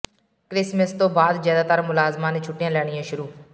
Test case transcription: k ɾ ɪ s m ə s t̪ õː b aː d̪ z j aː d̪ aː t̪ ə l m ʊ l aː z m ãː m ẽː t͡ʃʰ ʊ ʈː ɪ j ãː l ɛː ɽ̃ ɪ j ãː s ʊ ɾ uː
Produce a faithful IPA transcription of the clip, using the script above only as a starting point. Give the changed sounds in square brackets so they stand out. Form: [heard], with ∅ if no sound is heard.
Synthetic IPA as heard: k ɾ ɪ s m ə s t̪ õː b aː d̪ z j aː d̪ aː t̪ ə [ɾ] m ʊ l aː z m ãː [n] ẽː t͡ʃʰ ʊ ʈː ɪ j ãː l ɛː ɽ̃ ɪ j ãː [ʃ] ʊ ɾ uː